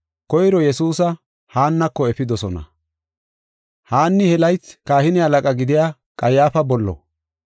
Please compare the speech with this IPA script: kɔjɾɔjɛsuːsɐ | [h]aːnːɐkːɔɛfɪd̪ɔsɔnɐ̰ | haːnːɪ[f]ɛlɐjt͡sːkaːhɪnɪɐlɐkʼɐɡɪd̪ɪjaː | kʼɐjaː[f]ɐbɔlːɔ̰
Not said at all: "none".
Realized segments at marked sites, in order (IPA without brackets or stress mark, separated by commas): h, h, f